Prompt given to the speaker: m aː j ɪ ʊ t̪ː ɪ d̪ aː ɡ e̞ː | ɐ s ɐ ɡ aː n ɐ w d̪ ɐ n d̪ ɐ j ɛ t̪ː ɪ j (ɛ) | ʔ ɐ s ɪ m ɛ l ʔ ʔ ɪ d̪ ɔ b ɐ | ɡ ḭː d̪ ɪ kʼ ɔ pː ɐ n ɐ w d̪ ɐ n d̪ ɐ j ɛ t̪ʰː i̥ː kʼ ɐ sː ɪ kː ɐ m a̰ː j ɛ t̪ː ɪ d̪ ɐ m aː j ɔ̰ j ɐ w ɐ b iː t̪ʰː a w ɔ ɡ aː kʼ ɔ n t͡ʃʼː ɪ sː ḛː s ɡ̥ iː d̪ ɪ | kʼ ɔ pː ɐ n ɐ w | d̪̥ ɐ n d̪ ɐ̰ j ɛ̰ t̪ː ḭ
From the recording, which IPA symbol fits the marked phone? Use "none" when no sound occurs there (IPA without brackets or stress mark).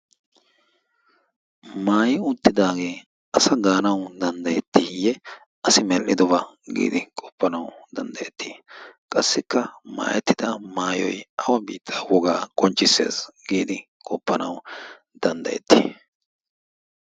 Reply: ɛ